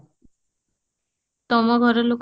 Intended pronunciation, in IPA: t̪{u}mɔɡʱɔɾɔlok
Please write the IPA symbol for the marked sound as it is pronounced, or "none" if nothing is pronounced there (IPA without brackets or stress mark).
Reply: ɔ